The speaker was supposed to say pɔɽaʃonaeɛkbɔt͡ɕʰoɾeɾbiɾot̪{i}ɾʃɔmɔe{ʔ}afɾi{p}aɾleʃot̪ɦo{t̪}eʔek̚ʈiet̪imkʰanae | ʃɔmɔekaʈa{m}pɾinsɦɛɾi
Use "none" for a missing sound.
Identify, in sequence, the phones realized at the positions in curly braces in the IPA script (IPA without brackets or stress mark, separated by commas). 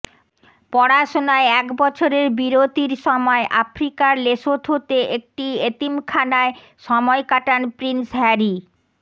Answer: i, ʔ, k, t̪, n